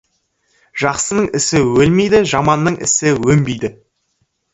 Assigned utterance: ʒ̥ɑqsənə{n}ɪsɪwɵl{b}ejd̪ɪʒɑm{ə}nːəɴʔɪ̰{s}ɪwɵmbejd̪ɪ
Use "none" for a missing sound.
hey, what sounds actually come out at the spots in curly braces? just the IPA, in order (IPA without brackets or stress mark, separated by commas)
ɴ, m, ɑ, s